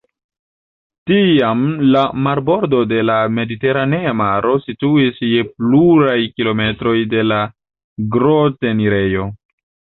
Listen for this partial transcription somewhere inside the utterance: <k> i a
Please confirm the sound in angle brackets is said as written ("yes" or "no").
no